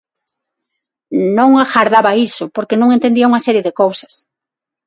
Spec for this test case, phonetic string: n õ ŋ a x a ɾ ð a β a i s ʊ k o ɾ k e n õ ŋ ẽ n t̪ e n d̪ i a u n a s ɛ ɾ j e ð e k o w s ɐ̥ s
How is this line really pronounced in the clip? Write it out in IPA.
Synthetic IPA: n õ ŋ a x a ɾ ð a β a i s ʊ p o ɾ k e n õ ŋ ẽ n t̪ e n d̪ i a u ŋ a s ɛ ɾ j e ð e k o w s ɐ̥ s